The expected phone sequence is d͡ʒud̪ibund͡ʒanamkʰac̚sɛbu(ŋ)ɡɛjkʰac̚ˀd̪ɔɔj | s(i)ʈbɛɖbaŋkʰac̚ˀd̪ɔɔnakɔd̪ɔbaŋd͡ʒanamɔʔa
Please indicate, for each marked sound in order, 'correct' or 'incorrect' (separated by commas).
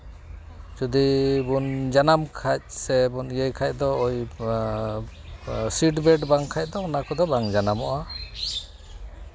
incorrect, correct